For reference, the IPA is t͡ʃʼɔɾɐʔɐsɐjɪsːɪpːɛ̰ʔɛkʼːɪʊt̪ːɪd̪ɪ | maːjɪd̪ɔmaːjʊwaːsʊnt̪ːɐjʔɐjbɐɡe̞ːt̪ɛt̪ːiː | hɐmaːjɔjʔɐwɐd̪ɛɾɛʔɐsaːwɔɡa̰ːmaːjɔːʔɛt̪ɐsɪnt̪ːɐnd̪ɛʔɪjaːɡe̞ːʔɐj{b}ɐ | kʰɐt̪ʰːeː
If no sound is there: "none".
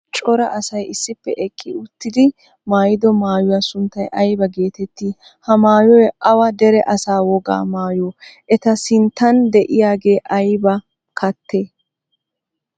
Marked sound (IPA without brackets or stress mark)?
b